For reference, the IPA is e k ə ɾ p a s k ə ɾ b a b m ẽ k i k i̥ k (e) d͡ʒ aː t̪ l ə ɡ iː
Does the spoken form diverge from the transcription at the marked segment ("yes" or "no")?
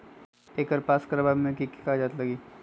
yes